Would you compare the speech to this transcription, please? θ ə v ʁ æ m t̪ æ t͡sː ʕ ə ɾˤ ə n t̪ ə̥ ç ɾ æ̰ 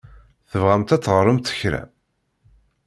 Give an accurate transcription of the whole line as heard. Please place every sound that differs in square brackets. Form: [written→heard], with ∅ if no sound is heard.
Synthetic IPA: θ ə v ʁ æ m t̪ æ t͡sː [ʕ→ʁ] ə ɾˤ ə [n→m] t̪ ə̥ ç ɾ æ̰